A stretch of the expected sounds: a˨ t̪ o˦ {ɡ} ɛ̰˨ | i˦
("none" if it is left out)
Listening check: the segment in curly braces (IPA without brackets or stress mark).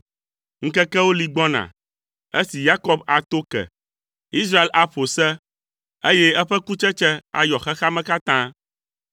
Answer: k